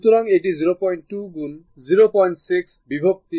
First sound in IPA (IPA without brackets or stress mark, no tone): t̪